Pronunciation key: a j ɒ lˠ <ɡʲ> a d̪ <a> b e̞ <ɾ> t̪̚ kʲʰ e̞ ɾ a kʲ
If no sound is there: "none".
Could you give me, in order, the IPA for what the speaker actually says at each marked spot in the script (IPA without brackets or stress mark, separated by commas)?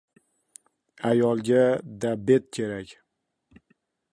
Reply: ɡʲ, a, none